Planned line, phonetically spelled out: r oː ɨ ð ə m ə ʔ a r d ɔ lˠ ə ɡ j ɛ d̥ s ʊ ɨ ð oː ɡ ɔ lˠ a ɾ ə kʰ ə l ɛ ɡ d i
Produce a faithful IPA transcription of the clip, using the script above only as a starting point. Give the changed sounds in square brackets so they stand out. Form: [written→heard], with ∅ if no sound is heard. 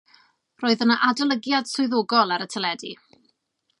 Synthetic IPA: r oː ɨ ð ə [m→n] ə ʔ a [r→∅] d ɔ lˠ ə ɡ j [ɛ→a] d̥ s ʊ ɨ ð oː ɡ ɔ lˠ a ɾ ə [kʰ→tʰ] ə l ɛ [ɡ→∅] d i